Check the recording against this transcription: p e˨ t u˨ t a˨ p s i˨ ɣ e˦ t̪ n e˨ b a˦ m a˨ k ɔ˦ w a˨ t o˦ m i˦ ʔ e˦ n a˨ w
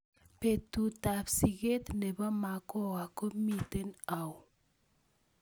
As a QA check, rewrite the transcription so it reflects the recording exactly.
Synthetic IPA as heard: p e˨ t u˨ t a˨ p s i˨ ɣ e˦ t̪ n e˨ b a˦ m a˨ k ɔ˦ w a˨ k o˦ m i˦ t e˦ n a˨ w